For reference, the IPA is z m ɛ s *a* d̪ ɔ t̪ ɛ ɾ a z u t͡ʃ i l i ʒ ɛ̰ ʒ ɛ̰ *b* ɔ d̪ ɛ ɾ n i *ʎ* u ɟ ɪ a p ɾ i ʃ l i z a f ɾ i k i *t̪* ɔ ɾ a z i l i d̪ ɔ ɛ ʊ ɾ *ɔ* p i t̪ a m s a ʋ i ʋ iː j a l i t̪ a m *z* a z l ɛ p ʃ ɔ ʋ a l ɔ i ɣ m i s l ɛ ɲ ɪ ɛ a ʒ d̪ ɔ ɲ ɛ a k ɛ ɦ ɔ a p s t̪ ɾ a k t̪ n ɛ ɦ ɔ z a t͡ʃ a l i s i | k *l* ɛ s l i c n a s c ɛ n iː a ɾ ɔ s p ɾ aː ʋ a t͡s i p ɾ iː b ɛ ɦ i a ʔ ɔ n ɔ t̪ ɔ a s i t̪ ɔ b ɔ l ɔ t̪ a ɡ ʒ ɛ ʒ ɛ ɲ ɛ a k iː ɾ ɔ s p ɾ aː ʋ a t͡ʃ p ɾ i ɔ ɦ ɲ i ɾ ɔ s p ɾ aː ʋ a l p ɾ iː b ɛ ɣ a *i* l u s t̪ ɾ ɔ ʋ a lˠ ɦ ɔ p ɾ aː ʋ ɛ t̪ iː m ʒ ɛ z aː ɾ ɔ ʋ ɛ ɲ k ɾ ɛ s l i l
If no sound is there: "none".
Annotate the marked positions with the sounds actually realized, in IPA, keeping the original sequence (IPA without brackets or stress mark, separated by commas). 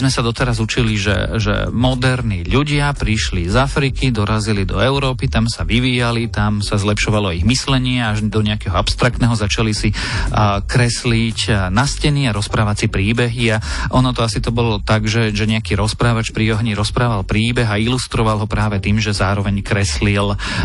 a, m, ʎ, d̪, ɔː, s, ɾ, i